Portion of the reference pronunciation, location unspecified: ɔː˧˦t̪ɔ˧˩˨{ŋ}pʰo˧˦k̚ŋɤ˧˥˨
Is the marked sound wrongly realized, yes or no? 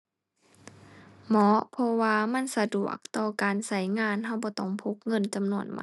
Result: no